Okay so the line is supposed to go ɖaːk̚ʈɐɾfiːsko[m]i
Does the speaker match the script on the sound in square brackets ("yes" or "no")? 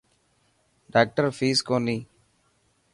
no